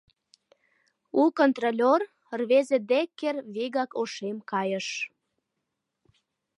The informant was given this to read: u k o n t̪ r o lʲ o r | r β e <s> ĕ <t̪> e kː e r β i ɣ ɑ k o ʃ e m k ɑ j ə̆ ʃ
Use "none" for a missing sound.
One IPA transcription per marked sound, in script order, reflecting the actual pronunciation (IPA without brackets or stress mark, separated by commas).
z, d̪